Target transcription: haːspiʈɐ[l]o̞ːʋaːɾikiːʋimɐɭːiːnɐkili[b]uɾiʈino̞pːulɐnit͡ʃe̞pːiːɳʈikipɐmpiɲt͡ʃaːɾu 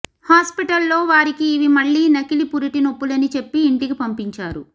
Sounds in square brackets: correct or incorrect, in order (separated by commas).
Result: incorrect, incorrect